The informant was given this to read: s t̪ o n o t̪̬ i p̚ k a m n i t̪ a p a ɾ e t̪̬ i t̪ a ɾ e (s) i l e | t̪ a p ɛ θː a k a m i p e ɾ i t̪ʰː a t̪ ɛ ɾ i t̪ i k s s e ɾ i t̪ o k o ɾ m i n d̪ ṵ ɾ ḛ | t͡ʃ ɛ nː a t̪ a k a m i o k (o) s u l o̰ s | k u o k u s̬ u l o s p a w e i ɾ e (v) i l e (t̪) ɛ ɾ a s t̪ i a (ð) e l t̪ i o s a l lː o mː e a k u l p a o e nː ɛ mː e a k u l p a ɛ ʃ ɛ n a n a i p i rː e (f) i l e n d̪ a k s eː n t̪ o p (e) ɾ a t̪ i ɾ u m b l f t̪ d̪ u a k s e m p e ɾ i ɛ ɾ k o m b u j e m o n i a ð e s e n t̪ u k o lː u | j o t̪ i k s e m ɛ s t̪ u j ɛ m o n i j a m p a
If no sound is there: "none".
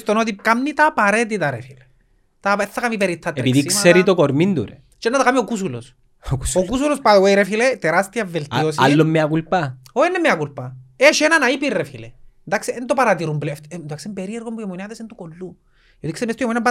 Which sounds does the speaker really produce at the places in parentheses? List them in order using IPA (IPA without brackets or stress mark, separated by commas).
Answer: f, u, f, t̪, v, f, a